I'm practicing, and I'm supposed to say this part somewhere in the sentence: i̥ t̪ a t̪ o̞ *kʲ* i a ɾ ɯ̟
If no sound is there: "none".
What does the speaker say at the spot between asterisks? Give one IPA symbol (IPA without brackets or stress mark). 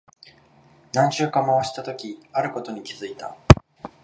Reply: kʲ